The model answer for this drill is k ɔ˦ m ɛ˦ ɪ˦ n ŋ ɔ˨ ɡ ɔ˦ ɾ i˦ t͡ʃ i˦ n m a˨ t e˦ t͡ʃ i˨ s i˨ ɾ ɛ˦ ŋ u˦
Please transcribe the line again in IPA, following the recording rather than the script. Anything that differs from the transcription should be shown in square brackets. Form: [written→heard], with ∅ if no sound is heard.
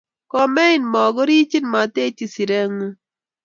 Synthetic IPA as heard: k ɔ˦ m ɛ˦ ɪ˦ n [ŋ→m] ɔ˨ ɡ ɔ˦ ɾ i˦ t͡ʃ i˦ n m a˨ t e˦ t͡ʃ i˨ s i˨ ɾ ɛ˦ ŋ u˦